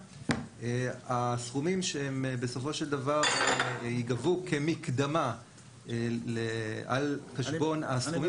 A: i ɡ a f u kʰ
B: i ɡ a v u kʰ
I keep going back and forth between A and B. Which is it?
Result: B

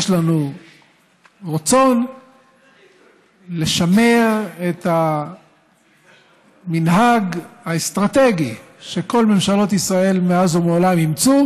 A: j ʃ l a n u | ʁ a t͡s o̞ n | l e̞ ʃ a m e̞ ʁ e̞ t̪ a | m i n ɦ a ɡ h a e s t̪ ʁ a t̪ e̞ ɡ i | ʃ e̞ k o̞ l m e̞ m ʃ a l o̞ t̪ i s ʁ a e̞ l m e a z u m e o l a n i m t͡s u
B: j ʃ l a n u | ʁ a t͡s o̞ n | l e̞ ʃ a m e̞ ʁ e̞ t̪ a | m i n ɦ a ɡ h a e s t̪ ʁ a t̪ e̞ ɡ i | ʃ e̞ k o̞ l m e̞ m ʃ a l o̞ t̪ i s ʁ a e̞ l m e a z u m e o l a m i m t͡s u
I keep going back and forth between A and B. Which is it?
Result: B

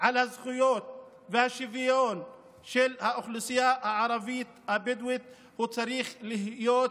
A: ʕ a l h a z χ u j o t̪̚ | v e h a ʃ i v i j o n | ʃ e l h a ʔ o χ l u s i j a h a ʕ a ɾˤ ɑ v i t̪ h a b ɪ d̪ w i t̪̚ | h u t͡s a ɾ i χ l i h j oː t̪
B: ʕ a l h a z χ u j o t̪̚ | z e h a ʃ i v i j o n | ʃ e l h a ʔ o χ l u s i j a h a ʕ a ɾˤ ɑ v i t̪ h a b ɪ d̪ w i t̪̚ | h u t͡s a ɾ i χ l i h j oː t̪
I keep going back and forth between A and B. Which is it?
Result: A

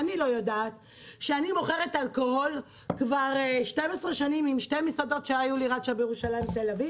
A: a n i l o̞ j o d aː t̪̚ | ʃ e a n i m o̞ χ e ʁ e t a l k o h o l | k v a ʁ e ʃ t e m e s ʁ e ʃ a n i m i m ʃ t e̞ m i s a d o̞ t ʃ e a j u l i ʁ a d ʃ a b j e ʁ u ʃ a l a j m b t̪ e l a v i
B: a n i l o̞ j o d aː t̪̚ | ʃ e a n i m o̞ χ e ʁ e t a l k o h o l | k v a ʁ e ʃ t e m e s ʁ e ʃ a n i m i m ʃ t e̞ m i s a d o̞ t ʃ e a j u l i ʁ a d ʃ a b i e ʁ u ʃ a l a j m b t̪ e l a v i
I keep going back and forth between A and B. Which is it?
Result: A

